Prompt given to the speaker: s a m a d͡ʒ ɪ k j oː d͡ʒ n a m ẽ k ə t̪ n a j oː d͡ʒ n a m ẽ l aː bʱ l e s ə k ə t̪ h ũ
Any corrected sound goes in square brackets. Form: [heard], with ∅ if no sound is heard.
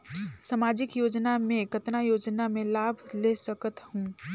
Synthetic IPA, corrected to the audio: s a m a d͡ʒ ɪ k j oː d͡ʒ n a m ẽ k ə t̪ n a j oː d͡ʒ n a m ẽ l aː bʱ l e s ə k ə t̪ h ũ